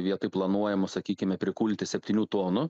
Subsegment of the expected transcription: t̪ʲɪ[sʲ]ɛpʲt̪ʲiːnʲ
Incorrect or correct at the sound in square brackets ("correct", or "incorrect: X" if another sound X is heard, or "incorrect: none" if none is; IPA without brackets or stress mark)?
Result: correct